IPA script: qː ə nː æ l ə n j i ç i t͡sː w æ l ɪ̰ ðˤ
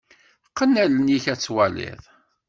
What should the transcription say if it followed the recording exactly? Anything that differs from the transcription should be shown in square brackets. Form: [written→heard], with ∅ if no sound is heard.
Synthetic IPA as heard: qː ə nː æ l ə n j i ç [i→æ] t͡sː w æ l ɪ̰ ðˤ